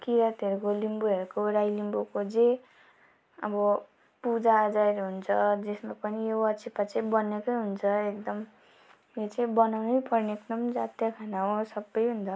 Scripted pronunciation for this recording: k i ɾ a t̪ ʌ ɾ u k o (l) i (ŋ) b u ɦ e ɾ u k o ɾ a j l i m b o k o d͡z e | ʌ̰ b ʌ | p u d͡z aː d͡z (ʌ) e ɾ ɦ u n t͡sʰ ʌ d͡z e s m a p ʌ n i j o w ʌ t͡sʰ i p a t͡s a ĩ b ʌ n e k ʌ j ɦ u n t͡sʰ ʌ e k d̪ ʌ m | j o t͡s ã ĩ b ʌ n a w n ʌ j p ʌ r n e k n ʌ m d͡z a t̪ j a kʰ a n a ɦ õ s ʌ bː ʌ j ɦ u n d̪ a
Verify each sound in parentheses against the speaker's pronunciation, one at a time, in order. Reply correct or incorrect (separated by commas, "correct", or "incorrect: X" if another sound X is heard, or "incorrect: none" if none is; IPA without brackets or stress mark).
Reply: correct, incorrect: m, incorrect: a